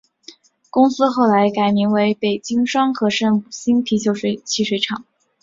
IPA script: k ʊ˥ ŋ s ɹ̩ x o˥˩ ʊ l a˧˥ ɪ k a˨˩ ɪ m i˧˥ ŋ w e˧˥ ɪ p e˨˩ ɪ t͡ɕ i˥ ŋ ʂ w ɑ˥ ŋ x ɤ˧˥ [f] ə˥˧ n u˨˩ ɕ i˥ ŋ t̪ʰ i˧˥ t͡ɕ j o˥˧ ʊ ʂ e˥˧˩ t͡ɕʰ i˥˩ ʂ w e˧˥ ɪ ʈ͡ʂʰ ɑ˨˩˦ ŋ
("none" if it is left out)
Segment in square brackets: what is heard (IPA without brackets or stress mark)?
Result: ʂ